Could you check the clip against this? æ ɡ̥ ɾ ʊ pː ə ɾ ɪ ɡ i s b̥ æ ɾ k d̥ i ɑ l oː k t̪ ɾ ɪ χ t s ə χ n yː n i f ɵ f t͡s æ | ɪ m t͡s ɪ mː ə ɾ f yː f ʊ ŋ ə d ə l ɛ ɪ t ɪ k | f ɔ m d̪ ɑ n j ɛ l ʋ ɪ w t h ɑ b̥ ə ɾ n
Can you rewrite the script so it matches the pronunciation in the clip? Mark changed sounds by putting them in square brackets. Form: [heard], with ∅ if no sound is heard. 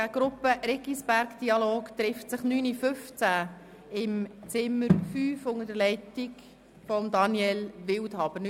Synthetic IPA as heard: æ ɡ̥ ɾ ʊ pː ə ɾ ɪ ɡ i s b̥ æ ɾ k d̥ i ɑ l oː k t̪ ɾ ɪ [f] t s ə χ n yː n i f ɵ f t͡s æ | ɪ m t͡s ɪ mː ə ɾ f yː f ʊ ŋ ə d ə l ɛ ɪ t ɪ k | f ɔ m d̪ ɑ n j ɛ l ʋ ɪ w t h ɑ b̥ ə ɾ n

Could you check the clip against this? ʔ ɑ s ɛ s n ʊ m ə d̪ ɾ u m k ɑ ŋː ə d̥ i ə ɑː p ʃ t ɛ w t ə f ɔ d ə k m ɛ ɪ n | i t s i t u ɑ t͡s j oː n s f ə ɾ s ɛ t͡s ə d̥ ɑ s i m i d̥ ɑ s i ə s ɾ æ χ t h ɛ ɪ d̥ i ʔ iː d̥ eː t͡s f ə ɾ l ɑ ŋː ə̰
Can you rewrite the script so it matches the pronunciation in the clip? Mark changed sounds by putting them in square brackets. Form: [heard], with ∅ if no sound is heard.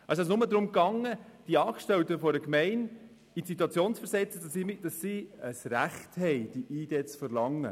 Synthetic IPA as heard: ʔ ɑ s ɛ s n ʊ m ə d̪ ɾ [ʊ] m k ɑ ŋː ə d̥ i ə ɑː [k] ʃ t ɛ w t ə f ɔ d ə k m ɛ ɪ n | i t s i t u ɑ t͡s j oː n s f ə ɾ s ɛ t͡s ə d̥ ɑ s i m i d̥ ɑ s i ə s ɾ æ χ t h ɛ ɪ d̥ i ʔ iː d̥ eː t͡s f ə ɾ l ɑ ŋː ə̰

